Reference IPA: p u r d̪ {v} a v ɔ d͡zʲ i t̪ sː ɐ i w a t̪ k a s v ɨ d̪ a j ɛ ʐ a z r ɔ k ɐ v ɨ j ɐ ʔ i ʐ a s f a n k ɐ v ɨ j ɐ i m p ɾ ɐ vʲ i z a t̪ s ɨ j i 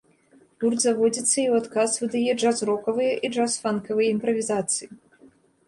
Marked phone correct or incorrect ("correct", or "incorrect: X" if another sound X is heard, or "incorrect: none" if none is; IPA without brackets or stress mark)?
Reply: incorrect: z